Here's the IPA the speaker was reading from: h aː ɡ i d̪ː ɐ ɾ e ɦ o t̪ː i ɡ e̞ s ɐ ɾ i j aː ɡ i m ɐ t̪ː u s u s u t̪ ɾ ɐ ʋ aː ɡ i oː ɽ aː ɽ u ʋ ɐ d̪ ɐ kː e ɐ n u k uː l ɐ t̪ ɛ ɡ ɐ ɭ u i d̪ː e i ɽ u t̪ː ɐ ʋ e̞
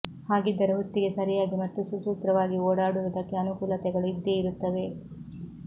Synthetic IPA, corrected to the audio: h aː ɡ i d̪ː ɐ ɾ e ɦ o t̪ː i ɡ e̞ s ɐ ɾ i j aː ɡ i m ɐ t̪ː u s u s uː t̪ ɾ ɐ ʋ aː ɡ i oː ɽ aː ɽ u ʋ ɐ d̪ ɐ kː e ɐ n u k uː l ɐ t̪ ɛ ɡ ɐ ɭ u i d̪ː e i ɾ u t̪ː ɐ ʋ e̞